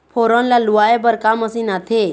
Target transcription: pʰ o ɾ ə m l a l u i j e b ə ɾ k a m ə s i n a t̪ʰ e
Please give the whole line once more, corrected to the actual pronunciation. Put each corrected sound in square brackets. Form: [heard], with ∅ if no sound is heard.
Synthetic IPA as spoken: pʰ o ɾ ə [n] l a l u [a] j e b ə ɾ k a m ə s i n a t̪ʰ e